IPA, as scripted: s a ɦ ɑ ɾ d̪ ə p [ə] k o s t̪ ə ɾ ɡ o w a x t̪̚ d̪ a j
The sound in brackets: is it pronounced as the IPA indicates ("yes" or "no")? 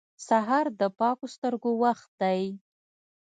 no